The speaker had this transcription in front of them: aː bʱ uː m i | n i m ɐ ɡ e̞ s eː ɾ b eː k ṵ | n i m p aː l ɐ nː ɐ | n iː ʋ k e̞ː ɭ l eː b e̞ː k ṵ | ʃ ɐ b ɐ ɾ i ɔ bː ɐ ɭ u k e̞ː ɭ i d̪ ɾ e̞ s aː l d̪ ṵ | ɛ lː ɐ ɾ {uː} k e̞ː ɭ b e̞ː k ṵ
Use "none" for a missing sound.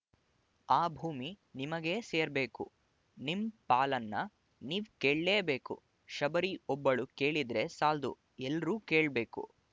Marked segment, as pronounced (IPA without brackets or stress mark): uː